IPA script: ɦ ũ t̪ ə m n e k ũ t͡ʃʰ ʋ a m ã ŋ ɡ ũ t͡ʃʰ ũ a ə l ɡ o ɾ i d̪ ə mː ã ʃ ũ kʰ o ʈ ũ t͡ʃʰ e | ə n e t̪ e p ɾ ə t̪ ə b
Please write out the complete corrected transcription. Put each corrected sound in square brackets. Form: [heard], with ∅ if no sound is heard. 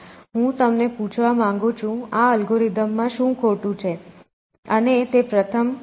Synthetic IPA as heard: ɦ ũ t̪ ə m n e [p] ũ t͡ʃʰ ʋ a m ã ŋ ɡ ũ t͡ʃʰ ũ a ə l ɡ o ɾ i d̪ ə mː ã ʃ ũ kʰ o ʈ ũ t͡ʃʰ e | ə n e t̪ e p ɾ ə [t̪ʰ] ə [m]